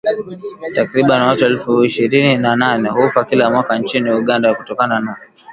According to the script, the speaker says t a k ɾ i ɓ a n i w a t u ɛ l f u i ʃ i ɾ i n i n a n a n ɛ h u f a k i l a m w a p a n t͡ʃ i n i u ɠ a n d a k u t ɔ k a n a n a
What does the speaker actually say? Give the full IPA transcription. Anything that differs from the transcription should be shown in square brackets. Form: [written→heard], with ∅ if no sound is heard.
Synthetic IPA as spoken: t a k ɾ i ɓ a n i w a t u ɛ l f u i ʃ i ɾ i n i n a n a n ɛ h u f a k i l a m w a [p→k] a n t͡ʃ i n i u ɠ a n d a k u t ɔ k a n a n a